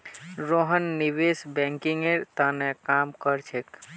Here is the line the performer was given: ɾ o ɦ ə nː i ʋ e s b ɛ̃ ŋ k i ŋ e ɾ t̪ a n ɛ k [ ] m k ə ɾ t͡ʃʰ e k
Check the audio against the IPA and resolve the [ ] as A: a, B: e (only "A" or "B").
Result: A